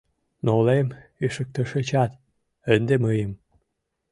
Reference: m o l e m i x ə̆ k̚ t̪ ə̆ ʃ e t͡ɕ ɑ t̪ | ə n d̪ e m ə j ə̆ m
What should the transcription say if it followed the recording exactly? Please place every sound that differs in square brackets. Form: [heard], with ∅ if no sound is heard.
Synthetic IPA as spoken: [n] o l e m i [ʃ] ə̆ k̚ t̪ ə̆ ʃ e t͡ɕ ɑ t̪ | ə n d̪ e m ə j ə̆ m